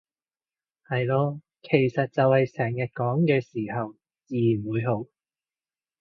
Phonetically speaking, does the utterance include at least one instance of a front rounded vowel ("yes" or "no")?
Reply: no